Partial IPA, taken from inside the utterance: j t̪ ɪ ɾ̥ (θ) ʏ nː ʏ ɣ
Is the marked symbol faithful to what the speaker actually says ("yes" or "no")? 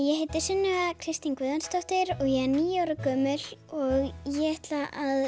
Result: no